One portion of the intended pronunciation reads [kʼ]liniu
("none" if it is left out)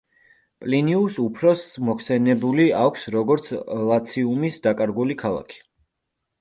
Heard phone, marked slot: pʼ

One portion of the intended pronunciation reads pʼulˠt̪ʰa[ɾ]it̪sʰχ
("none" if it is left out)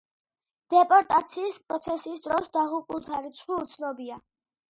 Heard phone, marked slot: ɾ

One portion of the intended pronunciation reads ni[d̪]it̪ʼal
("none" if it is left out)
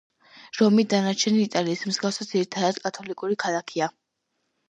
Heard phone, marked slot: none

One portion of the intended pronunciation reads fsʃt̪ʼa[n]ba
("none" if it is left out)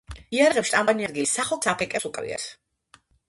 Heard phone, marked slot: m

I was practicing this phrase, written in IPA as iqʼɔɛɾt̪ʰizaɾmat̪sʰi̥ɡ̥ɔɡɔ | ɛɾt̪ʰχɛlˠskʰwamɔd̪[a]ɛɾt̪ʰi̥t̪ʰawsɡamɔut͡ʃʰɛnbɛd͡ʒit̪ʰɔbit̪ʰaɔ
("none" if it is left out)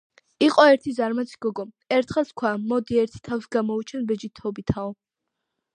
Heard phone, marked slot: i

